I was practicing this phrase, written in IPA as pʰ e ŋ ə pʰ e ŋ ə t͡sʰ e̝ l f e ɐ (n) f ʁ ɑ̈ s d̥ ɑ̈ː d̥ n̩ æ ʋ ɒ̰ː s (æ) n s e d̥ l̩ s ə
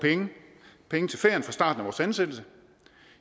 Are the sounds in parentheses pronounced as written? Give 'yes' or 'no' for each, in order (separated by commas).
yes, yes